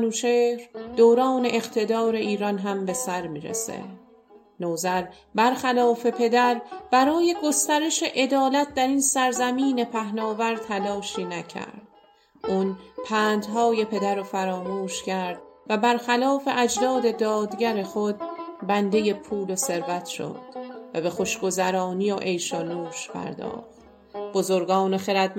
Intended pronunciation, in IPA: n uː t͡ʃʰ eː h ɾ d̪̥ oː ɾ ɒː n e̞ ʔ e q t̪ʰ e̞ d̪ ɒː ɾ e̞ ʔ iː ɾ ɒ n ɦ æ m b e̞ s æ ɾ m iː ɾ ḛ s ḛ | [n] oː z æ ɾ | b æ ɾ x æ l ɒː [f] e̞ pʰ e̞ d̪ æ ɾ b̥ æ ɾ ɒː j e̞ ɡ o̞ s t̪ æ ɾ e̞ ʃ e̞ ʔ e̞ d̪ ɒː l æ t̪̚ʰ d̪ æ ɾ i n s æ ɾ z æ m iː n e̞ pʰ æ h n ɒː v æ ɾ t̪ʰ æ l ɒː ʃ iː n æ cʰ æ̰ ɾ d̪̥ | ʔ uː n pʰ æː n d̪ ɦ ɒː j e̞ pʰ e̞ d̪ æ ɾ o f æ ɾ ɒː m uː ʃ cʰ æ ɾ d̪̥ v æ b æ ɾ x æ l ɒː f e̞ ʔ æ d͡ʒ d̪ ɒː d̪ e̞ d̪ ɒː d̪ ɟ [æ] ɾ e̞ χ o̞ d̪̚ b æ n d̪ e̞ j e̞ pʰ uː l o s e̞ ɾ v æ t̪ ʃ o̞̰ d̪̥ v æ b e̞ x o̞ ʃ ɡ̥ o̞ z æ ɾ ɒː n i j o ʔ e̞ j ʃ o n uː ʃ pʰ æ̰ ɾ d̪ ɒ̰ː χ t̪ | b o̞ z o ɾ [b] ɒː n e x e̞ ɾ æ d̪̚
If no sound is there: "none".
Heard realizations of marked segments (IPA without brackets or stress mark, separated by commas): n, f, æ, ɡ